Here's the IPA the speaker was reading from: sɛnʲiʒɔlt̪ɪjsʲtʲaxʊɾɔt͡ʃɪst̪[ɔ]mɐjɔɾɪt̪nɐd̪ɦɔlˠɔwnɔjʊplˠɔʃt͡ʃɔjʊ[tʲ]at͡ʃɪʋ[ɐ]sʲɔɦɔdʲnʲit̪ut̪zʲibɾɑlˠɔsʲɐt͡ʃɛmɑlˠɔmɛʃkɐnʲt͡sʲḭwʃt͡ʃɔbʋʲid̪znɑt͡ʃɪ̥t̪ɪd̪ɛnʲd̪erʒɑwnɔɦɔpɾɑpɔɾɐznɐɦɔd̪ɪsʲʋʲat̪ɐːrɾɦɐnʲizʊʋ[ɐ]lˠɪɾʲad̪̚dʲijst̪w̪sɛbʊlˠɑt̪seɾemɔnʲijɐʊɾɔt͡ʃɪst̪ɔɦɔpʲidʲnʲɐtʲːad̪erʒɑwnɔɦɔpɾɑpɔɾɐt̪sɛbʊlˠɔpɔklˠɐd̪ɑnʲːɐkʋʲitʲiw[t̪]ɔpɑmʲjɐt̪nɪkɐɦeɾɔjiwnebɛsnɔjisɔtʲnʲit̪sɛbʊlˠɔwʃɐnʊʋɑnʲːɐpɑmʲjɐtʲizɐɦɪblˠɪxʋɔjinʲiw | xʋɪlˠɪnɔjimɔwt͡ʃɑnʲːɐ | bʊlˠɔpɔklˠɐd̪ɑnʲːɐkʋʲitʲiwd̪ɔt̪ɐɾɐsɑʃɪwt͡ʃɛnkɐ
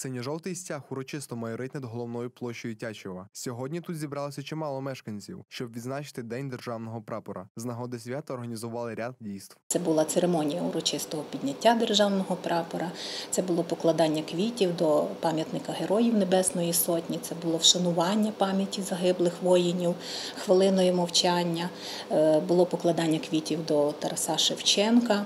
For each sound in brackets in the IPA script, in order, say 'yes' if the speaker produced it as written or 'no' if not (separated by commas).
yes, yes, yes, no, no